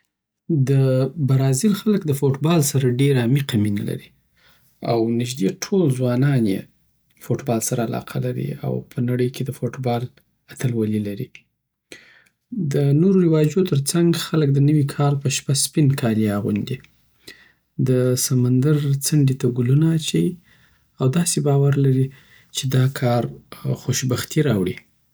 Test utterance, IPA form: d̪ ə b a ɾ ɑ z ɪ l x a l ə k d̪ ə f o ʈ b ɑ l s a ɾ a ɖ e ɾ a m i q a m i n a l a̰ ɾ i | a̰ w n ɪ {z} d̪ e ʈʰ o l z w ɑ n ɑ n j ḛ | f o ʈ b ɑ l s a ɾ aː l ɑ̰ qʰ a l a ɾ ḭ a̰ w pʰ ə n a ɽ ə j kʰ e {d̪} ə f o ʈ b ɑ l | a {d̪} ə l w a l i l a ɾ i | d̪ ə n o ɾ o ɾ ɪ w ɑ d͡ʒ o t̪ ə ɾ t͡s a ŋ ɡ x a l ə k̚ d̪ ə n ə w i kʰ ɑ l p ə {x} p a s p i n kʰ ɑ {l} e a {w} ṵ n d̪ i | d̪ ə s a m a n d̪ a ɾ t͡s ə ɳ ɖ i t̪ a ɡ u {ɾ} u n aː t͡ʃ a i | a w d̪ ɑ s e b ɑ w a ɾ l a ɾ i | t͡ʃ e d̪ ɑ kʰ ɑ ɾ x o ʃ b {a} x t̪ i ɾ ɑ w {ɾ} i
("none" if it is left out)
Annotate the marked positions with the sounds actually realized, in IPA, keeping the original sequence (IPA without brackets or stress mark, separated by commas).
ʒ, d̪, t̪, ʃ, l, ɣ, l, a, ɽ